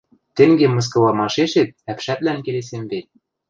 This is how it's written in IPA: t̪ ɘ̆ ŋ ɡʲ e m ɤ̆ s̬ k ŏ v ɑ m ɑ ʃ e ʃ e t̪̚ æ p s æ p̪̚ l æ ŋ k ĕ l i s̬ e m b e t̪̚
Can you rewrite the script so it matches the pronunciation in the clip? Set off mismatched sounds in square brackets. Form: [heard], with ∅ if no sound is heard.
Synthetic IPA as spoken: t̪ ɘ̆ ŋ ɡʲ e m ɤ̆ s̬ k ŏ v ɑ m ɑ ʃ e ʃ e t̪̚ æ p [ʃ] æ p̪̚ l æ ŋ k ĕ l [e] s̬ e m b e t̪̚